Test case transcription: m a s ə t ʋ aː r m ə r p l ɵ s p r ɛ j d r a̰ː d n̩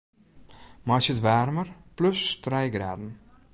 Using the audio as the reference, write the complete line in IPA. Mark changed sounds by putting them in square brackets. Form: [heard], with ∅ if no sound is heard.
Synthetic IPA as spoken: m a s ə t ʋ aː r m ə r p l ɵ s [t] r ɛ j [ɡ] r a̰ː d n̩